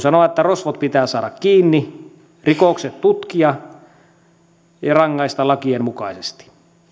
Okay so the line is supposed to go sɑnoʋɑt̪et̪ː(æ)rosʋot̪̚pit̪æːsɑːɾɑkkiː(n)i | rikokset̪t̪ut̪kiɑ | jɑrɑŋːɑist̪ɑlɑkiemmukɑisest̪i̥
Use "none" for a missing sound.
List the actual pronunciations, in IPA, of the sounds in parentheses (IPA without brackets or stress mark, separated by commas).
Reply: æ, nː